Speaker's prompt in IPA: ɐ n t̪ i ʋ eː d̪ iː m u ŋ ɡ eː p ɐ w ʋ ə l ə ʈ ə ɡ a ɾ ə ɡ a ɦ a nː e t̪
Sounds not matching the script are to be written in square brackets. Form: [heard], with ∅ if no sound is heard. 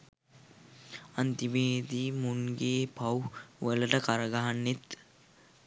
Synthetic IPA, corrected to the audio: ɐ n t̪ i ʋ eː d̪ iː m u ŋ ɡ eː p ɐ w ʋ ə l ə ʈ ə [k] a ɾ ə ɡ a ɦ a nː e t̪